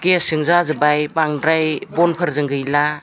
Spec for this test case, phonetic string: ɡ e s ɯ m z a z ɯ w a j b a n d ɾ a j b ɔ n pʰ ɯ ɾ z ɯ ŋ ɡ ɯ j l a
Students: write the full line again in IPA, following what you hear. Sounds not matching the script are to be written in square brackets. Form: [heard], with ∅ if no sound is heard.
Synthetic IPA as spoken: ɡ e s ɯ [ŋ] z a z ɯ [b] a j b a [ŋ] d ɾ a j b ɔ n pʰ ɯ ɾ z ɯ ŋ ɡ ɯ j l a